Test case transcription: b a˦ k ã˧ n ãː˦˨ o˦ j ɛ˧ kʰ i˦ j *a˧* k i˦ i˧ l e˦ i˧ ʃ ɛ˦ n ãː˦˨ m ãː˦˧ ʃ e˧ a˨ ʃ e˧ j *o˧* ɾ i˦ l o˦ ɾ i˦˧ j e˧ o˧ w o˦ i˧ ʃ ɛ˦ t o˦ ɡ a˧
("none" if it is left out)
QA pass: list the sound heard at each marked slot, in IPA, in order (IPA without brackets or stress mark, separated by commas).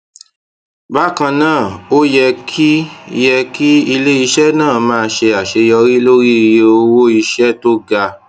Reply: ɛ˧, ɔ˧